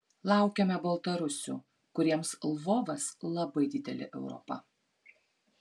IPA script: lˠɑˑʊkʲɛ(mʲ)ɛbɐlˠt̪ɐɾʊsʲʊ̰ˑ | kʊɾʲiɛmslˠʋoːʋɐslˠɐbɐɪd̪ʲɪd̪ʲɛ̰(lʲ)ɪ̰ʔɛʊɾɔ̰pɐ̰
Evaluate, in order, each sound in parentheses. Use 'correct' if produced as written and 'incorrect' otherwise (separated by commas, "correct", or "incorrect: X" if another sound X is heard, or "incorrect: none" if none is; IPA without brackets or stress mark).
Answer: correct, correct